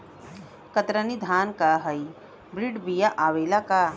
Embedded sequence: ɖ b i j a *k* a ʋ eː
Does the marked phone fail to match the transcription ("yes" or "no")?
yes